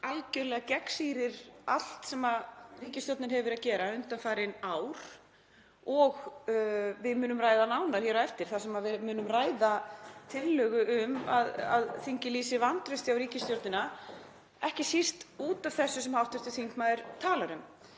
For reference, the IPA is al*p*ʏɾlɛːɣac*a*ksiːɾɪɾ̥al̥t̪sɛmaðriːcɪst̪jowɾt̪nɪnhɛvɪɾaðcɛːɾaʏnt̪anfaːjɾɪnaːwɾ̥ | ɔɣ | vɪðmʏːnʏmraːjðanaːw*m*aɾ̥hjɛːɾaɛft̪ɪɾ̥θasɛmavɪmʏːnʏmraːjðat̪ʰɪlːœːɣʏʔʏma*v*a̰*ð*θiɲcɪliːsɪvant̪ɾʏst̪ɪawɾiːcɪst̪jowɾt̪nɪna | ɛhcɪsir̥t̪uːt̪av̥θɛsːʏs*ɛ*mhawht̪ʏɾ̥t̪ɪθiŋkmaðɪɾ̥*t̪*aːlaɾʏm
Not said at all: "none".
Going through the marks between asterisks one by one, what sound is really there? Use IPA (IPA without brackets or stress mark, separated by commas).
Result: c, ɛ, n, ð, ð, ɛ, t̪ʰ